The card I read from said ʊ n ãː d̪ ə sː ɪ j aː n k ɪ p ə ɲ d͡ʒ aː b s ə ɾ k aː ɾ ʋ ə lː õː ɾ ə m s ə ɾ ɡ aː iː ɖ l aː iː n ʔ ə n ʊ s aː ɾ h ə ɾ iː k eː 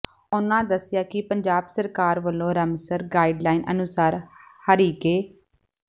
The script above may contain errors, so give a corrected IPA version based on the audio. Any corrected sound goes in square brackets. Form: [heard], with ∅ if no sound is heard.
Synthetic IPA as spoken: ʊ n ãː d̪ ə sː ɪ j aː [∅] k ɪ p ə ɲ d͡ʒ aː b s ə ɾ k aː ɾ ʋ ə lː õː ɾ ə m s ə ɾ ɡ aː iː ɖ l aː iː n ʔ ə n ʊ s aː ɾ h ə ɾ iː k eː